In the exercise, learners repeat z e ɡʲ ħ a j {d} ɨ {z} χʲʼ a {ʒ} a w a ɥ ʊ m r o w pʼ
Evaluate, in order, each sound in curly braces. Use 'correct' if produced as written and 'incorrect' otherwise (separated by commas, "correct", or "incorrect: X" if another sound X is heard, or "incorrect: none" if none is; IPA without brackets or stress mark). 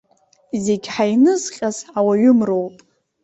incorrect: n, correct, incorrect: z